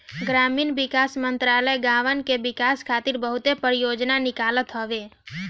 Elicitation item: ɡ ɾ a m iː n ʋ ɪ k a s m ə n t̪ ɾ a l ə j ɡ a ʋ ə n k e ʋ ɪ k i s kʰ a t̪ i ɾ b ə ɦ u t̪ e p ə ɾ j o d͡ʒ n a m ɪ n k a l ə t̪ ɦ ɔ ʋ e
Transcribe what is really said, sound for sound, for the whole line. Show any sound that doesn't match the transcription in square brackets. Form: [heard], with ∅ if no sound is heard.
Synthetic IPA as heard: ɡ ɾ a m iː n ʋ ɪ k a s m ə n t̪ ɾ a l ə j ɡ a ʋ ə n k e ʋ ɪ k [a] s kʰ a t̪ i ɾ b ə ɦ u t̪ e p ə ɾ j o d͡ʒ n a [n] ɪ [∅] k a l ə t̪ ɦ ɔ ʋ e